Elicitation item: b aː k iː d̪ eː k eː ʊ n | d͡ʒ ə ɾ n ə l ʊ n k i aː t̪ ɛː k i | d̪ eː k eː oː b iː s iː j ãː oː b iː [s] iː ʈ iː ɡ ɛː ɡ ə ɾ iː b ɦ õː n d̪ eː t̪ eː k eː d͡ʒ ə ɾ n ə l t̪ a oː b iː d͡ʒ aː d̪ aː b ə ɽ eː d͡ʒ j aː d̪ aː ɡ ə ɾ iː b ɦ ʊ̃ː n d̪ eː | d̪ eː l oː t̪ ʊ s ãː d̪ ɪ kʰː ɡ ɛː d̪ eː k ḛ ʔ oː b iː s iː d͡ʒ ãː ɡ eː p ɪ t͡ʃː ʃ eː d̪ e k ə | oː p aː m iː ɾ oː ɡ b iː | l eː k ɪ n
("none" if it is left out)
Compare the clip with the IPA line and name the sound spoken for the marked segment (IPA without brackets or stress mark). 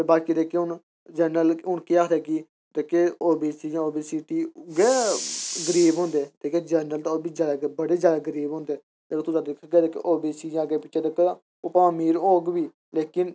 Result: s